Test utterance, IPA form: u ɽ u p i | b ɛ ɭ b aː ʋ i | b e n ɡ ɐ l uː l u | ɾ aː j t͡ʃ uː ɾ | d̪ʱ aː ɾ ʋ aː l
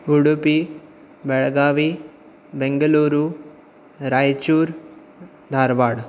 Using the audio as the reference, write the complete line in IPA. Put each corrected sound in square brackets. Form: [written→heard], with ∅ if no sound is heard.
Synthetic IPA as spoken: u ɽ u p i | b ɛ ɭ [b→ɡ] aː ʋ i | b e [n→ŋ] ɡ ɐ l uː [l→ɾ] u | ɾ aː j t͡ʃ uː ɾ | d̪ʱ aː ɾ ʋ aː [l→ɽ]